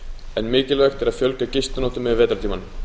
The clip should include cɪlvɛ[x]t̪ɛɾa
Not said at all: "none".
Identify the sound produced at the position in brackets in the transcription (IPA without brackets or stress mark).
x